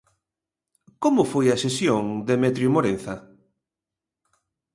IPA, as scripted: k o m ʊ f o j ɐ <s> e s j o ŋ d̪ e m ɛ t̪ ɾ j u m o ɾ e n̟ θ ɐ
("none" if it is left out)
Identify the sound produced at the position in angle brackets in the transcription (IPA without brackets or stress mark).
s